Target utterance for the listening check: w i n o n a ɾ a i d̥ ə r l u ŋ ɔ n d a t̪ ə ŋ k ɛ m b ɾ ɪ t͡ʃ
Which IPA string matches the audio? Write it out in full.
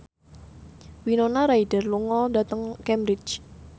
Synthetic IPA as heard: w i n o n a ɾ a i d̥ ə r l u ŋ ɔ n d a t̪ ə ŋ k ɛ m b ɾ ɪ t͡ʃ